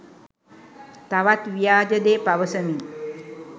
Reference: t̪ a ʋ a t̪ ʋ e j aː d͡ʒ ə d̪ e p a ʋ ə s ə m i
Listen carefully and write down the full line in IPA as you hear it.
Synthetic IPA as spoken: t̪ a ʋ a t̪ ʋ i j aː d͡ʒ ə d̪ e p a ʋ ə s ə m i